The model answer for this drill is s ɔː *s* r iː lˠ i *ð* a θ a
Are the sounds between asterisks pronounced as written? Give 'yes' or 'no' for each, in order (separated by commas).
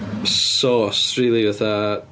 yes, no